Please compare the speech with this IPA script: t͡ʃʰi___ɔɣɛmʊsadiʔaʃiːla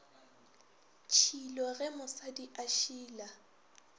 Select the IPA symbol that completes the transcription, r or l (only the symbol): l